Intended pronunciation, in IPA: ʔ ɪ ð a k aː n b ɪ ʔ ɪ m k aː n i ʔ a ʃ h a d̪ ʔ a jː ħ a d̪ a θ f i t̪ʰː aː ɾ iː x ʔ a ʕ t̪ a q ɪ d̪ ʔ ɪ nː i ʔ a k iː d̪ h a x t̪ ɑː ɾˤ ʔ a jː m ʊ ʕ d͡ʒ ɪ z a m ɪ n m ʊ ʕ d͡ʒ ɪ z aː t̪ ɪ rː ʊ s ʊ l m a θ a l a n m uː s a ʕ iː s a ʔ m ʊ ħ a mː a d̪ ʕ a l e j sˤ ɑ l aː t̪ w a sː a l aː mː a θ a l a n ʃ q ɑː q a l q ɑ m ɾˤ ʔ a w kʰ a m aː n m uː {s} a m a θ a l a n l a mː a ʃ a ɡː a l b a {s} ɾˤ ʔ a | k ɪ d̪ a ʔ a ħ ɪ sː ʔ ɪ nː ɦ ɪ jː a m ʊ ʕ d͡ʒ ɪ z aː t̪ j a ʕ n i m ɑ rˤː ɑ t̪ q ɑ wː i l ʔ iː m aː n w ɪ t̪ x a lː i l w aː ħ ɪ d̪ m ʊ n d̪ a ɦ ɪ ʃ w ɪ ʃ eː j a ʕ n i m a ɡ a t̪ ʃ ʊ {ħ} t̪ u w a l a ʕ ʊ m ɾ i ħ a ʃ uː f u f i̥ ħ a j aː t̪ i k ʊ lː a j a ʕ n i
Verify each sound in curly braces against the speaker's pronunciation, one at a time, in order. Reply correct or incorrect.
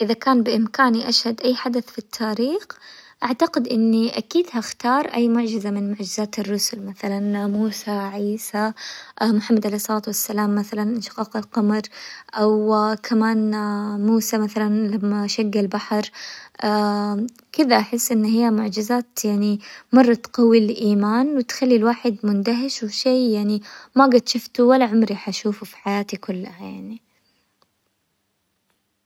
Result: correct, incorrect: ħ, incorrect: f

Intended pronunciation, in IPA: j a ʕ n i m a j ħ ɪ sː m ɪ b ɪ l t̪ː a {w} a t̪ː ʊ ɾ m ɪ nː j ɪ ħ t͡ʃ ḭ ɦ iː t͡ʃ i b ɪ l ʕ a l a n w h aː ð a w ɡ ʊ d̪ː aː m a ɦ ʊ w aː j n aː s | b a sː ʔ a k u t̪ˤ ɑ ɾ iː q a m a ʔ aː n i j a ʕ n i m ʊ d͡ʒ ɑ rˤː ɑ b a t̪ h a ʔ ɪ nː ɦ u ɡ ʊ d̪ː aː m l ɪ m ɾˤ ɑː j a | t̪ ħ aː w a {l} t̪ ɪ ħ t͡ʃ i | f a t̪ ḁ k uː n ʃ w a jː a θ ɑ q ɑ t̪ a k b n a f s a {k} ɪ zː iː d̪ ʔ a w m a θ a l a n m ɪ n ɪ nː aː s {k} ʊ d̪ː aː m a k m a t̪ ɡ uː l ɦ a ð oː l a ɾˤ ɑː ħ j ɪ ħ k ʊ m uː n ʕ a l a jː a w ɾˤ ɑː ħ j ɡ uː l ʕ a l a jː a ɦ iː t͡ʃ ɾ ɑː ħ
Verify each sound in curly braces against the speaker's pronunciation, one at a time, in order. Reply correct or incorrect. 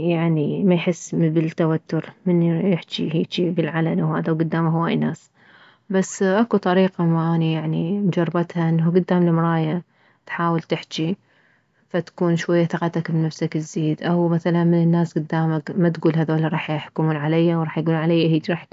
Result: correct, correct, correct, incorrect: ɡ

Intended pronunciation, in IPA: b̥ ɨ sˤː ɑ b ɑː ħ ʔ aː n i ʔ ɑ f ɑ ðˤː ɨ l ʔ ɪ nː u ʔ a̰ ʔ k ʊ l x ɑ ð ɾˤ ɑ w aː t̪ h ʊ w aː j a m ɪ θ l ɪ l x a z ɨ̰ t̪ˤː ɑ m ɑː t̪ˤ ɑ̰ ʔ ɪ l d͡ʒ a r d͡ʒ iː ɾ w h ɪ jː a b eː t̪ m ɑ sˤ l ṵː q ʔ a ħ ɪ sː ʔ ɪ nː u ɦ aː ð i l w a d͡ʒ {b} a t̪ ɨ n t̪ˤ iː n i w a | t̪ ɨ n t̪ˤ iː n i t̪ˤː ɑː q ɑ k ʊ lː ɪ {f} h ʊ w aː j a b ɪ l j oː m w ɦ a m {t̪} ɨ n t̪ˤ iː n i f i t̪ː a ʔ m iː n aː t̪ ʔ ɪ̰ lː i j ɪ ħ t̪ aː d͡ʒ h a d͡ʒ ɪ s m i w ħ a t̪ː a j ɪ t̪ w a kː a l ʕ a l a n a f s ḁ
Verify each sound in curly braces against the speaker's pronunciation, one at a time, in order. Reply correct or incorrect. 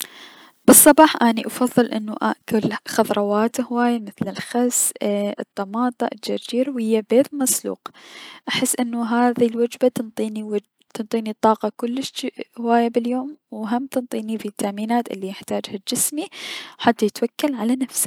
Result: correct, incorrect: ʃ, correct

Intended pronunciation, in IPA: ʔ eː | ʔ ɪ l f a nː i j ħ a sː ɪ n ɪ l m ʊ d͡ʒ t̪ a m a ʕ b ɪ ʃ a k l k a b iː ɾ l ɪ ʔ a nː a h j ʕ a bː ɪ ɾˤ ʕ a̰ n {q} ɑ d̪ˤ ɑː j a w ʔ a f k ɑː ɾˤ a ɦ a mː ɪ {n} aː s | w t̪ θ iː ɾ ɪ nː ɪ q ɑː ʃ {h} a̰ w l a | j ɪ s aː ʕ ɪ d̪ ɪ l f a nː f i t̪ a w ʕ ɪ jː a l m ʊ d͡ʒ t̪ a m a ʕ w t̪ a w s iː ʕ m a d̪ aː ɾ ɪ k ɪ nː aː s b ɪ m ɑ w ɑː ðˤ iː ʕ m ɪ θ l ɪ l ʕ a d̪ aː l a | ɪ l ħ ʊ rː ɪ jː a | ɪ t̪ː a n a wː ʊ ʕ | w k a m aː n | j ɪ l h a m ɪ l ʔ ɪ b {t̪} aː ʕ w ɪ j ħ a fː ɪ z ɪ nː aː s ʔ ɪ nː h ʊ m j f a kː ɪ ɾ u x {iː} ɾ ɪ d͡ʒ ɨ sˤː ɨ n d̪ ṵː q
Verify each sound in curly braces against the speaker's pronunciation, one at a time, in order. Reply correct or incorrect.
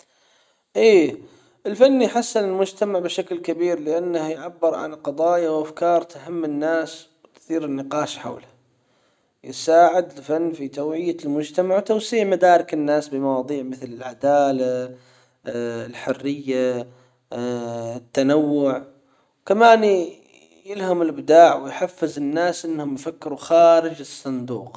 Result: correct, incorrect: nː, incorrect: ħ, incorrect: d̪, incorrect: aː

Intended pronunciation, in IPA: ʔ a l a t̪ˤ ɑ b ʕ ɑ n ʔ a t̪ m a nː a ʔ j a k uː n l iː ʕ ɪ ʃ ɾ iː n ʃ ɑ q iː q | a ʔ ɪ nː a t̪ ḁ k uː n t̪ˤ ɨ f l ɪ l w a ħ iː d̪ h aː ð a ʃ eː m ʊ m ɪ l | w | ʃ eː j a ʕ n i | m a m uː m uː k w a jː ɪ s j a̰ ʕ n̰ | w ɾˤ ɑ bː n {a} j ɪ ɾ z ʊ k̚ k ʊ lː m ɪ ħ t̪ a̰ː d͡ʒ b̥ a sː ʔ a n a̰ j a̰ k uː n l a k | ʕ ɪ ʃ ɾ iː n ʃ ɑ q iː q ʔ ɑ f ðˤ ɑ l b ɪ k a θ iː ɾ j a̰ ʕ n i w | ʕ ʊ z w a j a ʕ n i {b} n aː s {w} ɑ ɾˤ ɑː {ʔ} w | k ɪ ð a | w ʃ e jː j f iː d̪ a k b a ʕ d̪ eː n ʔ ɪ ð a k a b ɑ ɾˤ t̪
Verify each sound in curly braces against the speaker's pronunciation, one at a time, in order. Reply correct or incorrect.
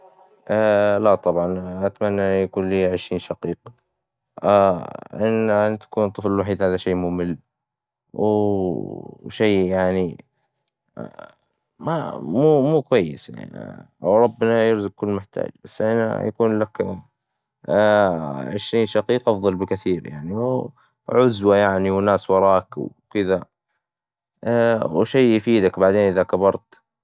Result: correct, incorrect: w, correct, incorrect: k

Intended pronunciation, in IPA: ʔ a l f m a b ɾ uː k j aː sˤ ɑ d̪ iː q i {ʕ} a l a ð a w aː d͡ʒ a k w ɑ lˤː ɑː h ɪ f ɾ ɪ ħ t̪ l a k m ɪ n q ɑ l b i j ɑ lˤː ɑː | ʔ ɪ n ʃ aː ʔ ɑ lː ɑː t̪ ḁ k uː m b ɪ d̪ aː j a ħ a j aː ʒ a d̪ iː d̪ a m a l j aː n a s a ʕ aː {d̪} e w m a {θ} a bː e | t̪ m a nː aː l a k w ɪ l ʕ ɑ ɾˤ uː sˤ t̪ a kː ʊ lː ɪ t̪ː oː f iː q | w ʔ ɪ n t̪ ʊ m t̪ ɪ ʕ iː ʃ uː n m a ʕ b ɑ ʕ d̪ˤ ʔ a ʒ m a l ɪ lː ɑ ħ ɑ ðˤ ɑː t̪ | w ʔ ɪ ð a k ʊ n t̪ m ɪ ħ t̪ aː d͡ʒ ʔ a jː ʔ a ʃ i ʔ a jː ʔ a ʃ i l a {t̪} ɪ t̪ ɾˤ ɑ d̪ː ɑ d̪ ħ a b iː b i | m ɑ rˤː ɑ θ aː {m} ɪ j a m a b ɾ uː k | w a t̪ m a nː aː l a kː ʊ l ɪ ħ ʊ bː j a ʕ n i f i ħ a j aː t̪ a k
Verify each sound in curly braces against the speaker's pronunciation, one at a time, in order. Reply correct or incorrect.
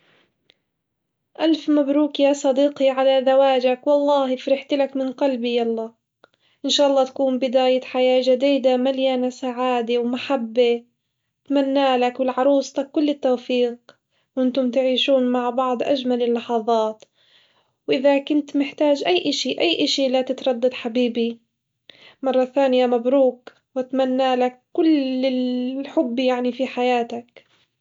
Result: correct, correct, incorrect: ħ, correct, incorrect: n

